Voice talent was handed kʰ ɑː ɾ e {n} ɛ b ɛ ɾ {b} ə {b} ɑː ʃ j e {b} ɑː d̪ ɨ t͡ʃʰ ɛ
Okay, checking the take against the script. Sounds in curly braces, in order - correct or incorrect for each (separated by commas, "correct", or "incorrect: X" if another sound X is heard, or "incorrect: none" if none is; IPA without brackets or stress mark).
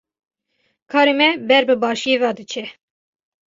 incorrect: m, correct, correct, incorrect: v